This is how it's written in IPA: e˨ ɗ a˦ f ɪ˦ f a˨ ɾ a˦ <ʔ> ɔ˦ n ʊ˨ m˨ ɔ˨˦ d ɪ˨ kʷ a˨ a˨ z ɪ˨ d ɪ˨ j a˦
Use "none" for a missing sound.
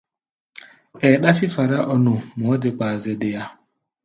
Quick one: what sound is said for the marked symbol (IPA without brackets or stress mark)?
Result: ʔ